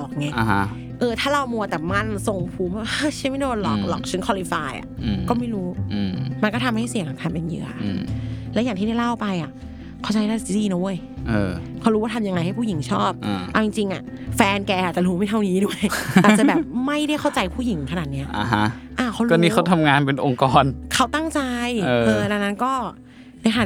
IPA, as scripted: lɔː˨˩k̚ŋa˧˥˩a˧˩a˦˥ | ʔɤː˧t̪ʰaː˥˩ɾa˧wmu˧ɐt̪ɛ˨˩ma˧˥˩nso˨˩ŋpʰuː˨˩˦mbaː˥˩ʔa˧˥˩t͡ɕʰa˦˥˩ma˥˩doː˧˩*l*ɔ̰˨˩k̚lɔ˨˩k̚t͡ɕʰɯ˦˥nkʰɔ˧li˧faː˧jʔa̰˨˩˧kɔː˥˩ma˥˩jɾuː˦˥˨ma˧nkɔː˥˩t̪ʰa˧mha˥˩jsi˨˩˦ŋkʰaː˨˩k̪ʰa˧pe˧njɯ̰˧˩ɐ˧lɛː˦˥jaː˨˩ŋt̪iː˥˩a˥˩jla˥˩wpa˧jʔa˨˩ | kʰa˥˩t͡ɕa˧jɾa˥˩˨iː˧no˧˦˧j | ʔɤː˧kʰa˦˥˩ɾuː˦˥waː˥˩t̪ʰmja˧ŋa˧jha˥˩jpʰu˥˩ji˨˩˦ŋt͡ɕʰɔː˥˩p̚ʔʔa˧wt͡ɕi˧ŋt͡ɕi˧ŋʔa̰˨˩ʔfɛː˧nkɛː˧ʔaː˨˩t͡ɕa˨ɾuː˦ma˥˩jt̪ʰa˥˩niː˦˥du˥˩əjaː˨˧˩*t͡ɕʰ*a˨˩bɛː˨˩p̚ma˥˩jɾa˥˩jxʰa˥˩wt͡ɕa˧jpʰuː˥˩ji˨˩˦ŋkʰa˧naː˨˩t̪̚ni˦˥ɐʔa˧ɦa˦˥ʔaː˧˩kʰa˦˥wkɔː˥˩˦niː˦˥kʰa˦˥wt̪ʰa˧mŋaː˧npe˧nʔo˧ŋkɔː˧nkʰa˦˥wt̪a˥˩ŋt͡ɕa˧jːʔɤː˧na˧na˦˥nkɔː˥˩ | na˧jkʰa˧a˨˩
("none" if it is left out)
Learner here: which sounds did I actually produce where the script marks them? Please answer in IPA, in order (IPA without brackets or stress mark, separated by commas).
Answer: l, t͡ɕ